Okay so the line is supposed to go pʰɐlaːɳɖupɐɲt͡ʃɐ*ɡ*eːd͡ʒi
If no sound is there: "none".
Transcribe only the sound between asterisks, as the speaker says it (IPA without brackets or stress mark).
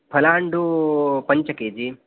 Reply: k